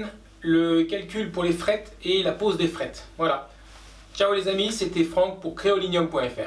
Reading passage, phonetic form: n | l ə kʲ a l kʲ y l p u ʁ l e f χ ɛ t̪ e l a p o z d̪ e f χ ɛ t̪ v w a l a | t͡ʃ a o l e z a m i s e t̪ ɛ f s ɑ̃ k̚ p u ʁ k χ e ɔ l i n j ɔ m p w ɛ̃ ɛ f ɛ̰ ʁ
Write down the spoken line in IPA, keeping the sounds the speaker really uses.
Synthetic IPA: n | l ə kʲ a l kʲ y l p u ʁ l e f χ ɛ t̪ e l a p o z d̪ e f χ ɛ t̪ v w a l a | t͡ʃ a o l e z a m i s e t̪ ɛ f χ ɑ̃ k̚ p u ʁ k χ e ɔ l i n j ɔ m p w ɛ̃ ɛ f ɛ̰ ʁ